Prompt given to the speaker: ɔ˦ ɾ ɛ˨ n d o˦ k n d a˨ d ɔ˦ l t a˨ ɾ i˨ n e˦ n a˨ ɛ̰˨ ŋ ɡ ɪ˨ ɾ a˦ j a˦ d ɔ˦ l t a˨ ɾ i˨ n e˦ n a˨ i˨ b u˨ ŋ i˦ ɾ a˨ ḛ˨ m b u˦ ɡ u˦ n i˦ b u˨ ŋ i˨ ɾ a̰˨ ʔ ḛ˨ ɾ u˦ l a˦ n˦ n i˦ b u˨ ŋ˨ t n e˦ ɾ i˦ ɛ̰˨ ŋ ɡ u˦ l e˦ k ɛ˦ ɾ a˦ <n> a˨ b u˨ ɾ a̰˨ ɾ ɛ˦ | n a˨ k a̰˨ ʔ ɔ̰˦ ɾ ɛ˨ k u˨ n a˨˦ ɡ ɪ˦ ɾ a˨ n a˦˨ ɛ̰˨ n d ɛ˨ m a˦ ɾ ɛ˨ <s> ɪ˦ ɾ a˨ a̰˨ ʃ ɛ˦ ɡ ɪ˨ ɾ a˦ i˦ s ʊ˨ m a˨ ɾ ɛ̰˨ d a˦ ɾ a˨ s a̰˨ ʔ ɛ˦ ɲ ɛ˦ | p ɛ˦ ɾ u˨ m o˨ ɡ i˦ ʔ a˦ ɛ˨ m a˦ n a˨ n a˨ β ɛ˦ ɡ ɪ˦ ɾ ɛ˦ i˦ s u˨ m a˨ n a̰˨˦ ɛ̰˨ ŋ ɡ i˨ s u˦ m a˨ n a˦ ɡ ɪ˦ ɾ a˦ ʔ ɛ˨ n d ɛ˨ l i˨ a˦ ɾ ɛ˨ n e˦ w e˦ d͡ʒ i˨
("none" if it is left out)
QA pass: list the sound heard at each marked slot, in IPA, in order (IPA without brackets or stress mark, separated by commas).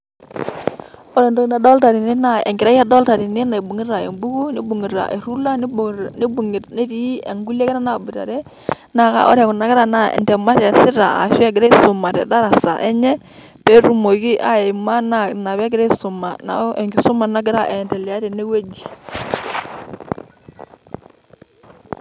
n, s